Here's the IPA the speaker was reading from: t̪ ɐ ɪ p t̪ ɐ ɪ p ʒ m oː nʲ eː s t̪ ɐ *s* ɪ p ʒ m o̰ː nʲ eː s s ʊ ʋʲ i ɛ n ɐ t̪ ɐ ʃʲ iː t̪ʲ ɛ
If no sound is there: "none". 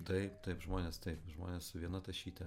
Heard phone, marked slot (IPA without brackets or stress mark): none